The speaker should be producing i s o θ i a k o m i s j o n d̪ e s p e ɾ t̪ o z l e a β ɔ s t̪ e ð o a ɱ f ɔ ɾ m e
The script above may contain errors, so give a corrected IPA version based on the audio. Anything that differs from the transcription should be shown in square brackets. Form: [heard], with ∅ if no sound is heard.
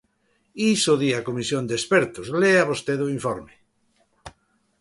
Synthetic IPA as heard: i s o [ð] i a k o m i s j o n d̪ e s p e ɾ t̪ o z l e a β [o] s t̪ e ð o [i] ɱ f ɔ ɾ m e

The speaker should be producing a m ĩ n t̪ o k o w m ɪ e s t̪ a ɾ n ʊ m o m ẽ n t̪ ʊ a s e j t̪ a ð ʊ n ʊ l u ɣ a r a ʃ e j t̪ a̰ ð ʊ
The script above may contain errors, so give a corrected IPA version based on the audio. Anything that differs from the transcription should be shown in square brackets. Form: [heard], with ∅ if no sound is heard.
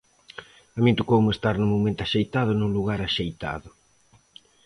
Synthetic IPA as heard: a m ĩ n t̪ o k o w m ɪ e s t̪ a ɾ n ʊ m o m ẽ n t̪ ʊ a [ʃ] e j t̪ a ð ʊ n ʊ l u ɣ a [ɾ] a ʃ e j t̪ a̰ ð ʊ

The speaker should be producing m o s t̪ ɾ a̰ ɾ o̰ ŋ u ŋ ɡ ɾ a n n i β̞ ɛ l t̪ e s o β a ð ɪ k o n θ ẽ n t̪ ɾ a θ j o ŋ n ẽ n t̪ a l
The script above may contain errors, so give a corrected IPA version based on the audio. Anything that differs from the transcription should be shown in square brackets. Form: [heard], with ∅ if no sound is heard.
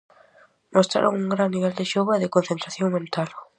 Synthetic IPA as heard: m o s t̪ ɾ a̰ ɾ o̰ ŋ u ŋ ɡ ɾ a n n i β̞ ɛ l [d̪] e [ʃ] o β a ð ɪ k o n θ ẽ n t̪ ɾ a θ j o ŋ [m] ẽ n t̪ a l

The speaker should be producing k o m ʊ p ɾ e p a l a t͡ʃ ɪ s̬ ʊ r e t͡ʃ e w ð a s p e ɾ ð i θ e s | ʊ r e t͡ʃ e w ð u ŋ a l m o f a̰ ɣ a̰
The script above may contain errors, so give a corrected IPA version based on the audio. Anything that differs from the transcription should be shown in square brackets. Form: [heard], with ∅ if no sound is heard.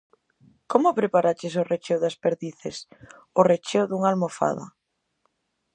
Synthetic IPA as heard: k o m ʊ p ɾ e p a [ɾ] a t͡ʃ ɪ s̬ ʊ r e t͡ʃ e w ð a s p e ɾ ð i θ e s | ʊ r e t͡ʃ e w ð u ŋ a l m o f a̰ [ð] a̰

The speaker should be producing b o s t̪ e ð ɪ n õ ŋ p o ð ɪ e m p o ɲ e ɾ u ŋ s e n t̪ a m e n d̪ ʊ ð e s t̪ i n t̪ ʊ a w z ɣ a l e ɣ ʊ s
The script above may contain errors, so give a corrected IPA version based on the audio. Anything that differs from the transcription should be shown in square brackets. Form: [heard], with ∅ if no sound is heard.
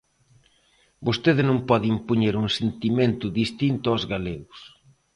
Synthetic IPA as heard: b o s t̪ e ð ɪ n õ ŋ p [ɔ] ð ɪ [i] m p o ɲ e ɾ u ŋ s e n t̪ [i] m e n [t̪] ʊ ð [i] s t̪ i n t̪ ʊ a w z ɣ a l e ɣ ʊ s

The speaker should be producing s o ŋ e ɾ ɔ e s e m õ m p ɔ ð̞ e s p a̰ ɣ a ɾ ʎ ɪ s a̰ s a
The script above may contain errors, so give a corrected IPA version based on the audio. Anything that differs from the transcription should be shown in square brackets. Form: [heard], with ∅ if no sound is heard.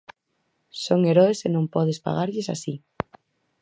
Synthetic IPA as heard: s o ŋ e ɾ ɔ e s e [n] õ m p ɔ ð̞ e s p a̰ ɣ a ɾ ʎ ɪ s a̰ s [i]

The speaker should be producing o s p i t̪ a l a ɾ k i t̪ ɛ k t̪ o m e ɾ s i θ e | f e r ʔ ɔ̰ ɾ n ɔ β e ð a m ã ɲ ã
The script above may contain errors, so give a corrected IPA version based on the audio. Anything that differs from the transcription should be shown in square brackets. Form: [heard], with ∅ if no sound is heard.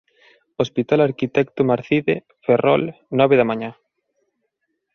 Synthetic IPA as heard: o s p i t̪ a l a ɾ k i t̪ ɛ k t̪ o m [a] ɾ [θ] i [ð] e | f e r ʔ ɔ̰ [l] n ɔ β e ð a m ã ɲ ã

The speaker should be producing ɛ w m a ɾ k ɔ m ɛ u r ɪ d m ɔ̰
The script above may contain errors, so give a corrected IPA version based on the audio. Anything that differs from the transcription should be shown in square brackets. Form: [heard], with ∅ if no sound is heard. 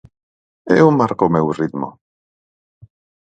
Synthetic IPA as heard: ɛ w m a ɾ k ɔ m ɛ [w] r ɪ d m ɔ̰

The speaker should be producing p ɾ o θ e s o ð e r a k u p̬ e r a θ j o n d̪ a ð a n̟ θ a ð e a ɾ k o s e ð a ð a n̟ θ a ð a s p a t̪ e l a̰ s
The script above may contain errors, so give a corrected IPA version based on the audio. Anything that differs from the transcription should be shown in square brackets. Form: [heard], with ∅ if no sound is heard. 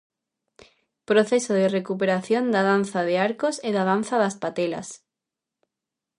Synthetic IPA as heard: p ɾ o θ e s o ð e r [e] k u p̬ e [ɾ] a θ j o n d̪ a ð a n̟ θ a ð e a ɾ k o s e ð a ð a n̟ θ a ð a s p a t̪ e l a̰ s

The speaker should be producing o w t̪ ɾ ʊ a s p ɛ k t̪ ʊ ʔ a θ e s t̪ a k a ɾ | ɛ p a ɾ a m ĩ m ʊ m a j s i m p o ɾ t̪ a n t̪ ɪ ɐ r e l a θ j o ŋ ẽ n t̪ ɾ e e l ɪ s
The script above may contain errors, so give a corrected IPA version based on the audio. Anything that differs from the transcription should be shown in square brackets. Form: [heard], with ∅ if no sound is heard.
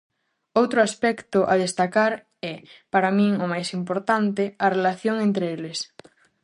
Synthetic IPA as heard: o w t̪ ɾ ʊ a s p ɛ k t̪ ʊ ʔ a [ð] e s t̪ a k a ɾ | ɛ p a ɾ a m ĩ [ŋ] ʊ m a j s i m p o ɾ t̪ a n t̪ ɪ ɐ r e l a θ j o ŋ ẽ n t̪ ɾ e e l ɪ s

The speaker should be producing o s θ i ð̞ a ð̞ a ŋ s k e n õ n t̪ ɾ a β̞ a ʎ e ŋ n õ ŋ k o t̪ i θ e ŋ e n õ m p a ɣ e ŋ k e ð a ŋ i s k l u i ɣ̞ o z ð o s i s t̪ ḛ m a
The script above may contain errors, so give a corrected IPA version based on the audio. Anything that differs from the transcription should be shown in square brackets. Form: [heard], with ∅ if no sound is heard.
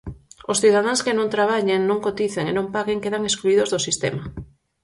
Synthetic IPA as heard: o s θ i ð̞ a ð̞ a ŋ s k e n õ n t̪ ɾ a β̞ a ʎ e ŋ n õ ŋ k o t̪ i θ e ŋ e n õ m p a ɣ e ŋ k e ð a ŋ [e] s k l u i [ð̞] o z ð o s i s t̪ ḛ m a

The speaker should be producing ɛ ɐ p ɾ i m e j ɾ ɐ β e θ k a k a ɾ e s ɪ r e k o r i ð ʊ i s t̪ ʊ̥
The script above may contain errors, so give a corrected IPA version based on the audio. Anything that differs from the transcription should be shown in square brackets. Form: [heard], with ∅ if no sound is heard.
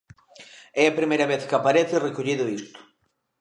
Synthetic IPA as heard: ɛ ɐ p ɾ i m e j ɾ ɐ β e θ k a [p] a ɾ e [θ] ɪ r e k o [ʎ] i ð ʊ i s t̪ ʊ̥

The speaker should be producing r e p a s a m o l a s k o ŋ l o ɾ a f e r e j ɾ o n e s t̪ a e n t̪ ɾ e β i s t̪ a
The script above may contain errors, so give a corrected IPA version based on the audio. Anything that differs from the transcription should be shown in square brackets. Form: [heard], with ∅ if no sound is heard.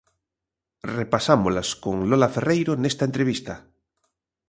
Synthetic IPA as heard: r e p a s a m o l a s k o ŋ l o [l] a f e r e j ɾ o n e s t̪ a e n t̪ ɾ e β i s t̪ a

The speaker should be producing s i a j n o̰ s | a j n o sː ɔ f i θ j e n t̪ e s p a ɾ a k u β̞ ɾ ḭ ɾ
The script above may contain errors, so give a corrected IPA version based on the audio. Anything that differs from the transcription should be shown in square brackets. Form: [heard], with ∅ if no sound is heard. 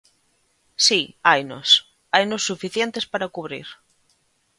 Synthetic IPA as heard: s i a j n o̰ s | a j n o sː [u] f i θ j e n t̪ e s p a ɾ a k u β̞ ɾ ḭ ɾ

